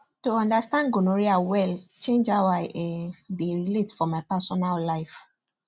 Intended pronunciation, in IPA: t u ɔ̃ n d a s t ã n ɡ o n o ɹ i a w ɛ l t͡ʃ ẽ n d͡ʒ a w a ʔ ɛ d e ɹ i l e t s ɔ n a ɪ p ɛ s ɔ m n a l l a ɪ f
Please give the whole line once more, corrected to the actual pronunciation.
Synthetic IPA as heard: t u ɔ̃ n d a s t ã n ɡ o n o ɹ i a w ɛ l t͡ʃ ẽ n d͡ʒ a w a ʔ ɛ d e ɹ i l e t f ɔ m a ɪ p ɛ s ɔ n a l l a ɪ f